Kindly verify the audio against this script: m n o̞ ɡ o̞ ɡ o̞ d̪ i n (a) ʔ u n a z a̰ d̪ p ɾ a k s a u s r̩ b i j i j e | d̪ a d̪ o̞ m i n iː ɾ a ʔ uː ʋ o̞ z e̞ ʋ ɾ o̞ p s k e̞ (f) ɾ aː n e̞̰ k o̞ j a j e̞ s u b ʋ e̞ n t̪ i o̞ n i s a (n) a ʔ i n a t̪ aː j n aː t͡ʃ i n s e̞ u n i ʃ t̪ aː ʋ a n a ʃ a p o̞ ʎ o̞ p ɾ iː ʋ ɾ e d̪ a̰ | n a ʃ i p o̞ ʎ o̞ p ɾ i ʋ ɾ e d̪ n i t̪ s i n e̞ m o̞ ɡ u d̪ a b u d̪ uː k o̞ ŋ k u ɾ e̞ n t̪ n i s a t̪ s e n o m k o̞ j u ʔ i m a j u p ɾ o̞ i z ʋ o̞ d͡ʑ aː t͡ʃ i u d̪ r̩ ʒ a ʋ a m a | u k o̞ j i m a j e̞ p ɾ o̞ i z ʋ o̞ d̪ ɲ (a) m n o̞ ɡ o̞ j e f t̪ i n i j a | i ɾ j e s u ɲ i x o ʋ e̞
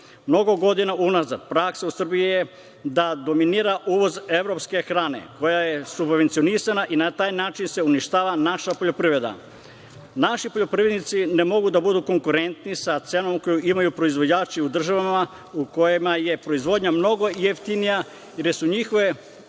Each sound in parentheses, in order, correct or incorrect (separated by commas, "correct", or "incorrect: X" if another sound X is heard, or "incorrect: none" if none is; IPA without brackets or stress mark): correct, incorrect: x, correct, correct